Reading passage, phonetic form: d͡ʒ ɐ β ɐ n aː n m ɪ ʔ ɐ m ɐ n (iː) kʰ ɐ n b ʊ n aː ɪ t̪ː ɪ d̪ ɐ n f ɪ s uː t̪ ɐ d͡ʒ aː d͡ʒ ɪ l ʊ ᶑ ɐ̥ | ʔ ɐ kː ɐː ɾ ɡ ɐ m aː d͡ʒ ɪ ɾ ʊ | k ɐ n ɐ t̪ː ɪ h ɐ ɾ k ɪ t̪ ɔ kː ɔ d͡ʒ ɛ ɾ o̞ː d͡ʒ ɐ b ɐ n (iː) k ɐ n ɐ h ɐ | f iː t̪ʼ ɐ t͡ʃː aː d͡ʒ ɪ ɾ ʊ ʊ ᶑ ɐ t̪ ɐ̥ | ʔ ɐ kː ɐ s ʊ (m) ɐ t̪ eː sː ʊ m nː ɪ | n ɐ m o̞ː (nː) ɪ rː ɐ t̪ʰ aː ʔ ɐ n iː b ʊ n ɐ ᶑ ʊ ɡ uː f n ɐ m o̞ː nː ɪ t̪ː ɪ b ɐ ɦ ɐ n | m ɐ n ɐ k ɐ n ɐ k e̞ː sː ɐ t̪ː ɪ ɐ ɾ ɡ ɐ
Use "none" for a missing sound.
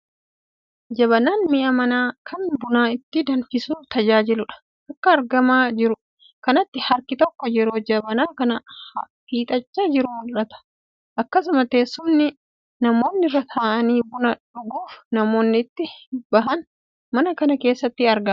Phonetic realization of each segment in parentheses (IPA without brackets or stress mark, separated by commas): aː, aː, m, nː